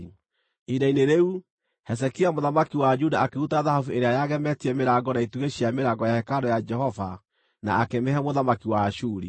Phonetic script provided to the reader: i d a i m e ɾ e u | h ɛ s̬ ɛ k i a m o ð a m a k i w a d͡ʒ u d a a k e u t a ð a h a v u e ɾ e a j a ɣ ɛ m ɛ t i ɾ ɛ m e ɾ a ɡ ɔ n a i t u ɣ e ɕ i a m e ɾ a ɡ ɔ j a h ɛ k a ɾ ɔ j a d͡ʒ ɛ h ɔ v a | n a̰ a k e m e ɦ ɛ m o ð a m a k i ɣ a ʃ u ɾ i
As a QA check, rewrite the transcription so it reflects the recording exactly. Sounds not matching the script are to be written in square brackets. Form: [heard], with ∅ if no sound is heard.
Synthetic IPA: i d a i [n] e ɾ e u | h ɛ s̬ ɛ k i a m o ð a m a k i w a d͡ʒ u d a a k e u t a ð a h a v u e ɾ e a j a ɣ ɛ m ɛ t i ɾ ɛ m e ɾ a ɡ ɔ n a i t u ɣ e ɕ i a m e ɾ a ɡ ɔ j a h ɛ k a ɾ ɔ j a d͡ʒ ɛ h ɔ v a | n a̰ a k e m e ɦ ɛ m o ð a m a k i [w] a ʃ u ɾ i